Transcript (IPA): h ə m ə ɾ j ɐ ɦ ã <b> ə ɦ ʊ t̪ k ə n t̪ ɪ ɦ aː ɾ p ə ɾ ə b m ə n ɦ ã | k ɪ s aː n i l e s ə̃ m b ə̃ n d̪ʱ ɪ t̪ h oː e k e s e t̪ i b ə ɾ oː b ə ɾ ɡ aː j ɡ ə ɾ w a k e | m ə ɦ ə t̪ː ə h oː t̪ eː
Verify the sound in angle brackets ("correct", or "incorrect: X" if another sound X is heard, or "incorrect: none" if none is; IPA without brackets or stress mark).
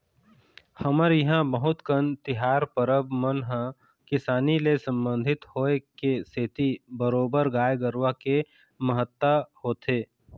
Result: correct